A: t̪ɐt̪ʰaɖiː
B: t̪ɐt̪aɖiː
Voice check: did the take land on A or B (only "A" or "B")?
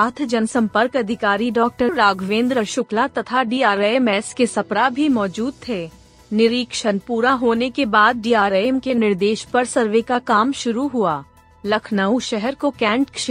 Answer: A